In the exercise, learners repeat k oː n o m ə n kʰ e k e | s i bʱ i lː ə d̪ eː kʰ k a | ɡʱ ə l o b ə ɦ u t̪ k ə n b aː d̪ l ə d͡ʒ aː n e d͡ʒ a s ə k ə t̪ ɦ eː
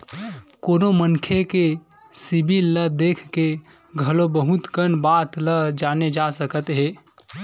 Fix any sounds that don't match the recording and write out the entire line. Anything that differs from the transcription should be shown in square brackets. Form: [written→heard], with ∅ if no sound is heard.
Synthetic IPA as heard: k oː n o m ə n kʰ e k e | s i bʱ i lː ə d̪ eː kʰ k [a→e] | ɡʱ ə l o b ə ɦ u t̪ k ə n b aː [d̪→t̪] l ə d͡ʒ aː n e d͡ʒ a s ə k ə t̪ ɦ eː